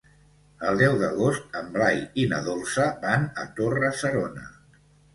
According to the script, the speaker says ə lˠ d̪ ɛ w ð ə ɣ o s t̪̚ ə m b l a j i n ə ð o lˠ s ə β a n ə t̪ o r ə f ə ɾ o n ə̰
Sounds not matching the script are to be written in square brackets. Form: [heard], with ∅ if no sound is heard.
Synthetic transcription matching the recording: ə lˠ d̪ ɛ w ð ə ɣ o s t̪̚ ə m b l a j i n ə ð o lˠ s ə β a n ə t̪ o r ə [s] ə ɾ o n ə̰